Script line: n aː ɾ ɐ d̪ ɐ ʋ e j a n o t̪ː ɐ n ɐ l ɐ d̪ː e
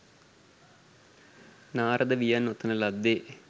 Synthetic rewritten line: n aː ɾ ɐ d̪ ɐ ʋ i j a n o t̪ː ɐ n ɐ l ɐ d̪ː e